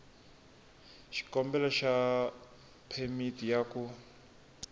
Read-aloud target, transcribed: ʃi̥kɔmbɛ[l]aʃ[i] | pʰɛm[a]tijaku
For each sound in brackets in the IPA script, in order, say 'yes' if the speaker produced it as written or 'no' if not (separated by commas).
yes, no, no